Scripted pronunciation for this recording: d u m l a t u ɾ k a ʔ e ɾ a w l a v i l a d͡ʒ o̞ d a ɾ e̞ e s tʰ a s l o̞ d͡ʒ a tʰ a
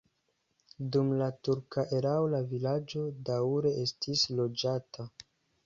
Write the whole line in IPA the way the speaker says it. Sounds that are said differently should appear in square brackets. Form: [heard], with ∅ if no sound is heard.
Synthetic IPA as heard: d u m l a t u ɾ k a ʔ e ɾ a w l a v i l a d͡ʒ o̞ d a ɾ e̞ e s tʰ [i] s l o̞ d͡ʒ a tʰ a